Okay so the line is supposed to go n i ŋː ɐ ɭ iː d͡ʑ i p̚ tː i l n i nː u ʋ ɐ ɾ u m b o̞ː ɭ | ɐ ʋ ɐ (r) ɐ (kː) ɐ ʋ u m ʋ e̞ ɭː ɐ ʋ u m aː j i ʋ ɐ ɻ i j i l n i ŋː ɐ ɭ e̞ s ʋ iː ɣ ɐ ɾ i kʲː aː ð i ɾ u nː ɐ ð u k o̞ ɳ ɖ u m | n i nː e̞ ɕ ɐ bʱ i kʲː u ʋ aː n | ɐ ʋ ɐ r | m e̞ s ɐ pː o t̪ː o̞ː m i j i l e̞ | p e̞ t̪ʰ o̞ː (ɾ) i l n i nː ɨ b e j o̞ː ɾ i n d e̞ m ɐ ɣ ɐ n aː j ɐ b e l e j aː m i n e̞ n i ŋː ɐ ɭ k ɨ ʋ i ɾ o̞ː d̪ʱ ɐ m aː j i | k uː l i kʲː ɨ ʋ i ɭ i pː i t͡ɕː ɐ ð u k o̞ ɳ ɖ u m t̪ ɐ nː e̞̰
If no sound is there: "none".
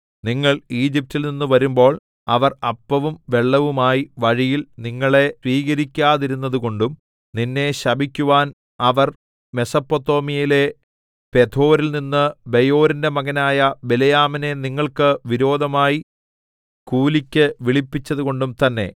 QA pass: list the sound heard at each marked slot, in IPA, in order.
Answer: r, pː, ɾ

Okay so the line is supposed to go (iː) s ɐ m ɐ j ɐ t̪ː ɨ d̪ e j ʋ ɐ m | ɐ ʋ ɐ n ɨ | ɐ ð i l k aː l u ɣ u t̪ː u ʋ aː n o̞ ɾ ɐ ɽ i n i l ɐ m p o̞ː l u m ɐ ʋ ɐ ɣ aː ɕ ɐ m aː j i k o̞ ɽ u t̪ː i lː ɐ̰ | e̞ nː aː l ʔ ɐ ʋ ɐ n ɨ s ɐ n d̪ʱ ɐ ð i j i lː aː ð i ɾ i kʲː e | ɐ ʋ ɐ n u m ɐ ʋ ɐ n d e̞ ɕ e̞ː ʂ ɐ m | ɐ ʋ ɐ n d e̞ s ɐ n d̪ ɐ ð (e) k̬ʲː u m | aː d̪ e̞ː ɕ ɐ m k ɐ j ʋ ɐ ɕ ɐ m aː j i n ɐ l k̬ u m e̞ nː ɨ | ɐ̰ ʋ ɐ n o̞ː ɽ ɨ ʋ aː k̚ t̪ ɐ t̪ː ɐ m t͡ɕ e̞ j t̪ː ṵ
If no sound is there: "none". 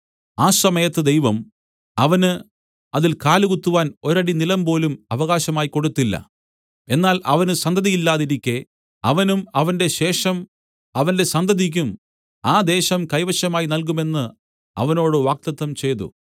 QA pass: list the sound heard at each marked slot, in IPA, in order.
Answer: aː, i

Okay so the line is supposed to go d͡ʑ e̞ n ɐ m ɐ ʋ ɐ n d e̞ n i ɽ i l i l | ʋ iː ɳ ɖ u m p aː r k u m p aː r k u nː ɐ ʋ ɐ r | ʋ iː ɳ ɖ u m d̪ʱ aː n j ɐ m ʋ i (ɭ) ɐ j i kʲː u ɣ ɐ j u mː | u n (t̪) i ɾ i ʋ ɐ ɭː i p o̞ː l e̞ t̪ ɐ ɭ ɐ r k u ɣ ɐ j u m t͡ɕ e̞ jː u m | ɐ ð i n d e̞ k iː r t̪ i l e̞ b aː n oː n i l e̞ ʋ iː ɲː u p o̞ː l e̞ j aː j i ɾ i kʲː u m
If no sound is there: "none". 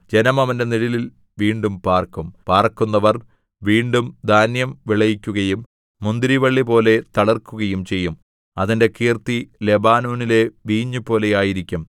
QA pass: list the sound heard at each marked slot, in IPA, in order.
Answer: ɭ, d̪

